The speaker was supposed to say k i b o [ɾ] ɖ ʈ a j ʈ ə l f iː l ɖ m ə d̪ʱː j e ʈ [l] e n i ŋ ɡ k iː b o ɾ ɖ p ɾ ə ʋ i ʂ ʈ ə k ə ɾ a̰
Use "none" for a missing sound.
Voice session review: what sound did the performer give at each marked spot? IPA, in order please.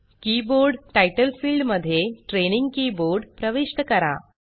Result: ɾ, ɾ

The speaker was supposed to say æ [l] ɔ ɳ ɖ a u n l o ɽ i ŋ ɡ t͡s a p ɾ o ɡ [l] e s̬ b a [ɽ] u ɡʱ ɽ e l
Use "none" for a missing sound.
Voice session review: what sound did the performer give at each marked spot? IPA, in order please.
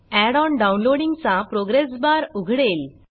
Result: ɽ, ɾ, ɾ

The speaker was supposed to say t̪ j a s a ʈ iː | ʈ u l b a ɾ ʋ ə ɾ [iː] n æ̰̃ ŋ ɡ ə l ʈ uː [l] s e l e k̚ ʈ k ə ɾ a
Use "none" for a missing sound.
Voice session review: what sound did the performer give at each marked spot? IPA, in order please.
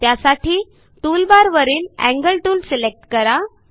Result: iː, l

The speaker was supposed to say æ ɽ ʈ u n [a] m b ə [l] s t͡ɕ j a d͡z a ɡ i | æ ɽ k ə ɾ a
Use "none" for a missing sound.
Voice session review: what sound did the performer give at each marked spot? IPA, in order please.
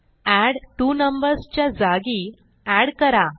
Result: ə, ɾ

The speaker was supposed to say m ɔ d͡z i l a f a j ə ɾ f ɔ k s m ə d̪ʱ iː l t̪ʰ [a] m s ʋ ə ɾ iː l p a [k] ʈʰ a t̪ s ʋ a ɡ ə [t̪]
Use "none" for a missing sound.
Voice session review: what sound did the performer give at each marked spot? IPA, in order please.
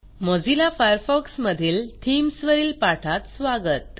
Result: i, none, t̪

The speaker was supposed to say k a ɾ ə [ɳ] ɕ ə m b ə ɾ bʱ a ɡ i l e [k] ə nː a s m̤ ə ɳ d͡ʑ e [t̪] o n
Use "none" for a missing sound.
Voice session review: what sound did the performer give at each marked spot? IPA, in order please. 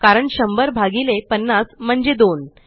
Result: ɳ, p, d̪

